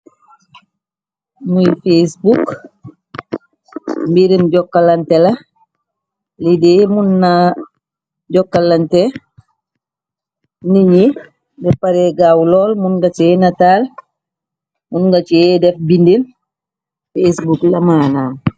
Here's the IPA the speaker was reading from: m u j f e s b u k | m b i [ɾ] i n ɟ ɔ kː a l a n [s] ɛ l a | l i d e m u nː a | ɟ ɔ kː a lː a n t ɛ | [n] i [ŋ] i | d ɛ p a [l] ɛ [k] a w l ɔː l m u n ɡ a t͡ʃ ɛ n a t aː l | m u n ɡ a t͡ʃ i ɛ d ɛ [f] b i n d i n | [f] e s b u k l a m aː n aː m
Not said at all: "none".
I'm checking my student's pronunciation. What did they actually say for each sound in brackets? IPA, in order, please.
ɾ, t, n, ɲ, ɾ, ɡ, f, f

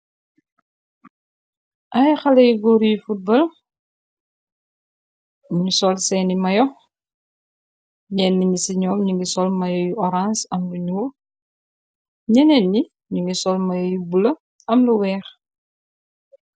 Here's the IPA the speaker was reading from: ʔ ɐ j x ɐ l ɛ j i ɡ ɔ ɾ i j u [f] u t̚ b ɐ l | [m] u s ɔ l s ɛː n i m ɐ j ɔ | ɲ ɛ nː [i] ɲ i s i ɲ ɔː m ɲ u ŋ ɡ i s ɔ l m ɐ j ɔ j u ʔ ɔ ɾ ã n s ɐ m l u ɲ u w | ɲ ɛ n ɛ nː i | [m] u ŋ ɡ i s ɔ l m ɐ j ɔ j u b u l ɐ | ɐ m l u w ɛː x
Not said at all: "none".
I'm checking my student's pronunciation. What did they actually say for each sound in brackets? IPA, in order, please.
f, ɲ, i, ɲ

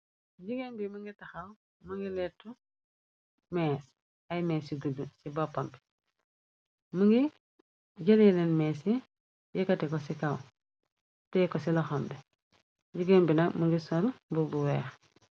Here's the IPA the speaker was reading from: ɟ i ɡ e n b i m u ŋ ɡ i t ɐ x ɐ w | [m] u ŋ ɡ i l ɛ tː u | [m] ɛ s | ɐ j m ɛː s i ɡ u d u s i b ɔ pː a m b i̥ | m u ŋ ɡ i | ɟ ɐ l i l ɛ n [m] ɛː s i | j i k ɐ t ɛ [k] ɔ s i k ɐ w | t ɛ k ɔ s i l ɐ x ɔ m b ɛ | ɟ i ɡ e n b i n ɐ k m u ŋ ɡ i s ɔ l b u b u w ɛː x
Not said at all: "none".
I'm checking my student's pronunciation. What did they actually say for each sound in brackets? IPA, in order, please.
m, m, m, k

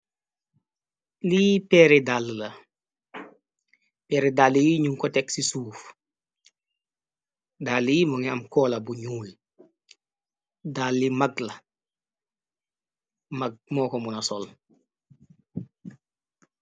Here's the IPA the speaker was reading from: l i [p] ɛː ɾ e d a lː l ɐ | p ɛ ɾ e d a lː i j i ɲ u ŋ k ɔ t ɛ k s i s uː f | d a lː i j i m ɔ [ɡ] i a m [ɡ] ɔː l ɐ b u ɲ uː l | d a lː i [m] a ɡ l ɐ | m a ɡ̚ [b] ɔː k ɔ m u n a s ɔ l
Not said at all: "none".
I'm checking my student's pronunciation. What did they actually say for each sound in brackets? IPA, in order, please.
p, ŋ, k, m, m

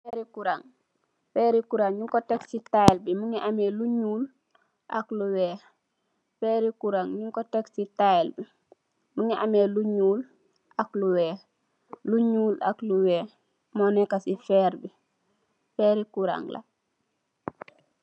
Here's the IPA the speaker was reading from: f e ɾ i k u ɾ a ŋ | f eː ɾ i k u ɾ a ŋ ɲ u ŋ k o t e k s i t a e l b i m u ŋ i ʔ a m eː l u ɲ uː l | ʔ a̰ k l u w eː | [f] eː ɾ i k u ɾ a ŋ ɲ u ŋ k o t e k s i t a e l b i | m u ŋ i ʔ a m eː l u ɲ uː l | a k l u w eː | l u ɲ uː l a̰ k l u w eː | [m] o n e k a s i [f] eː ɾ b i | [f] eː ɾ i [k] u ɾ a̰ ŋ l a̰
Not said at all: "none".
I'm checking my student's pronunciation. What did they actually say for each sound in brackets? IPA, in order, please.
f, m, f, f, k

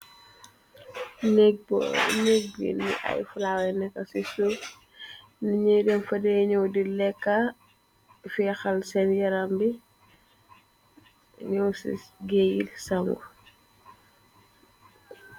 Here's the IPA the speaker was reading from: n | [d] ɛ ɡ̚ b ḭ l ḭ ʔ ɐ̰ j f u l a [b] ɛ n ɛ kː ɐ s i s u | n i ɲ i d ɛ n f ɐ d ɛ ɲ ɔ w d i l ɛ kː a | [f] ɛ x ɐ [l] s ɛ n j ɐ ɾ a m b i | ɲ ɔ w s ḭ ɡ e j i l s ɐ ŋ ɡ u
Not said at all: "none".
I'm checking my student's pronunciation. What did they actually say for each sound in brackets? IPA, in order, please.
n, w, f, l

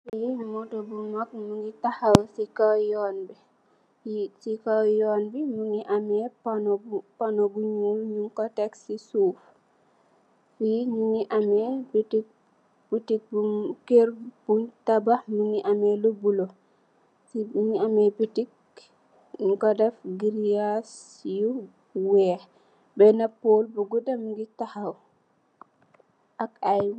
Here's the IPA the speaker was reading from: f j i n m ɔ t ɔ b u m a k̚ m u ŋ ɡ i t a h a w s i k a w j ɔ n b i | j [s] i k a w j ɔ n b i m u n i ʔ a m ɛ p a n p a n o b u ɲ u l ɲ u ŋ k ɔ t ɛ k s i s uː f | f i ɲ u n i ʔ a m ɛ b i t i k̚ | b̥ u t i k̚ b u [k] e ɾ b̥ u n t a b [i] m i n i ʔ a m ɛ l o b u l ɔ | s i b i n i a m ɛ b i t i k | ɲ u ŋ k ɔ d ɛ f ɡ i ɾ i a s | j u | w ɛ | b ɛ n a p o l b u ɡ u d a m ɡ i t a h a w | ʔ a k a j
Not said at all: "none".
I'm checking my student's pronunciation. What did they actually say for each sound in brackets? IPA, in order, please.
s, k, a

